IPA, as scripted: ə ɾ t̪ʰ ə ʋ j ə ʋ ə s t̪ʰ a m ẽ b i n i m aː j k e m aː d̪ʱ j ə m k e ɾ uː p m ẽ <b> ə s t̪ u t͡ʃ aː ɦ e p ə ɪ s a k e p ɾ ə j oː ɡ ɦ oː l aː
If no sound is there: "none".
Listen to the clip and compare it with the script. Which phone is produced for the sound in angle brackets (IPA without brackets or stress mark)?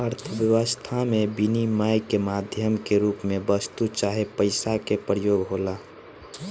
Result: b